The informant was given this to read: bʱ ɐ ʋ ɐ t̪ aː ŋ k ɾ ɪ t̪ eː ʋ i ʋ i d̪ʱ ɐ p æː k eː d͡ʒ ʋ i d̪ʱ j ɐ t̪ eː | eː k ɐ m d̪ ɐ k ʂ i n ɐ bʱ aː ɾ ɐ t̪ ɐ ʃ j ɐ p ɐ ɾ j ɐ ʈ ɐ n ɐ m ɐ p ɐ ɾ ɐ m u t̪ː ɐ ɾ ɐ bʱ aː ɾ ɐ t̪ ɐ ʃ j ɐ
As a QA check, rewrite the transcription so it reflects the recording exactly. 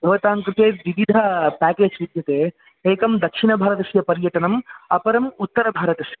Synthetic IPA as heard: bʱ ɐ ʋ ɐ t̪ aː ŋ k ɾ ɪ t̪ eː ʋ i ʋ i d̪ʱ ɐ p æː k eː d͡ʒ ʋ i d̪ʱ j ɐ t̪ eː | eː k ɐ m d̪ ɐ k ʂ i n ɐ bʱ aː ɾ ɐ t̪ ɐ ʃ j ɐ p ɐ ɾ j ɐ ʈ ɐ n ɐ m ɐ p ɐ ɾ ɐ m u t̪ː ɐ ɾ ɐ bʱ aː ɾ ɐ t̪ ɐ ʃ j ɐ